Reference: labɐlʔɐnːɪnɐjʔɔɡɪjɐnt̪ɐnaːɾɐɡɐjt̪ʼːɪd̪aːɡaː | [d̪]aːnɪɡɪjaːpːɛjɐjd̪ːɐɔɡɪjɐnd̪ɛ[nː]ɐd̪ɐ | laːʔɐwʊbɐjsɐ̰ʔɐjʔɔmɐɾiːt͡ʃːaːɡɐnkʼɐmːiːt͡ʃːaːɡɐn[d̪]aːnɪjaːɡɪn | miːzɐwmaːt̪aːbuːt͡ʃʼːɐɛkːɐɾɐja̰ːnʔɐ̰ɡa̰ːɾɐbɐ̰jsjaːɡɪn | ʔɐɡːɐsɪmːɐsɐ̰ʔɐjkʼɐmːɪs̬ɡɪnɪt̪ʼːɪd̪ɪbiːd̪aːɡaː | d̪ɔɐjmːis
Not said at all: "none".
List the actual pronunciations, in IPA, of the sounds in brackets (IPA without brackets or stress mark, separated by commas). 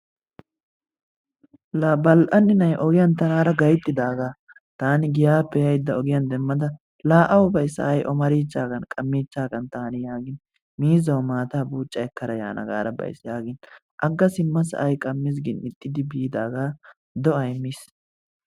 t̪, mː, t̪